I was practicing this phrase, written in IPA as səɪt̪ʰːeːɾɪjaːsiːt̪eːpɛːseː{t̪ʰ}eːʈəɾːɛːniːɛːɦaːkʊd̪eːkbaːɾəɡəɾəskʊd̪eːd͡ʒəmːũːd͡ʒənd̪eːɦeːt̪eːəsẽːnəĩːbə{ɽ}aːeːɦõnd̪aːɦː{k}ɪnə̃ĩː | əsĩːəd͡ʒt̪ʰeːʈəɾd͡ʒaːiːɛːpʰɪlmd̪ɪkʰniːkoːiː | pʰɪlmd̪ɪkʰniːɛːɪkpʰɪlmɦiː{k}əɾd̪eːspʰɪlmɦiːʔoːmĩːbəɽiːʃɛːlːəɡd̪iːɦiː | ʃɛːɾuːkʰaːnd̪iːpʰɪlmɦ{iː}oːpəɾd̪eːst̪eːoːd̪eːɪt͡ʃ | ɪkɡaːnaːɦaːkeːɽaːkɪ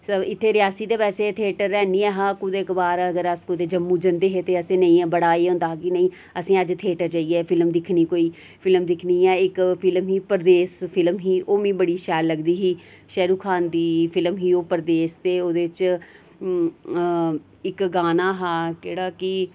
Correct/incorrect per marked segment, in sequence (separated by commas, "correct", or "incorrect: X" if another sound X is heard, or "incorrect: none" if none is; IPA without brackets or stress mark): correct, correct, correct, incorrect: p, correct